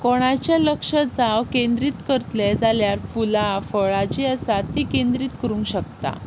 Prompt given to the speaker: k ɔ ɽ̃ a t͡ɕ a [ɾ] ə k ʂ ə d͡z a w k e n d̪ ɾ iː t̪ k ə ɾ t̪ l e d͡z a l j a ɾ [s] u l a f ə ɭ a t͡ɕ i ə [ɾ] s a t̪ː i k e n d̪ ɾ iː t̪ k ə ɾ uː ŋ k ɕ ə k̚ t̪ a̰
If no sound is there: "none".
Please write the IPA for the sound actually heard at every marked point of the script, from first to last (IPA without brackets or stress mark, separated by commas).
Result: l, f, none